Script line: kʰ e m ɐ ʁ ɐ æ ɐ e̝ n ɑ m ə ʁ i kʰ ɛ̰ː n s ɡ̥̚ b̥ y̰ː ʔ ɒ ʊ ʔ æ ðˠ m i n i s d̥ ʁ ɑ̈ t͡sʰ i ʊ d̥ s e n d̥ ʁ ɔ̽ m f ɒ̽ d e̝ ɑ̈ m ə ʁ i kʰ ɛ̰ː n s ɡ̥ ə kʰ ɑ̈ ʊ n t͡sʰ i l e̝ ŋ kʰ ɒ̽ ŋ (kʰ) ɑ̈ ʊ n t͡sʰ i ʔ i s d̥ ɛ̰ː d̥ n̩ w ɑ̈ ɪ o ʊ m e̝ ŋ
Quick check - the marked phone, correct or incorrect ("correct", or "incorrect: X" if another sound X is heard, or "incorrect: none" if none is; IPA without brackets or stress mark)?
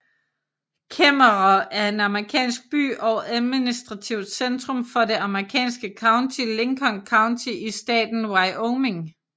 correct